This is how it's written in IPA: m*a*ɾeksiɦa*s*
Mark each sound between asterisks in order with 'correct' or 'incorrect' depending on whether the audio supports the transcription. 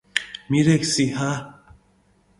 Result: incorrect: i, incorrect: none

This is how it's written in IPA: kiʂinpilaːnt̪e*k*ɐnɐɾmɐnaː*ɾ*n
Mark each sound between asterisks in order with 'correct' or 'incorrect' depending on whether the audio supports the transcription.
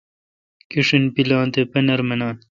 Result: incorrect: p, incorrect: none

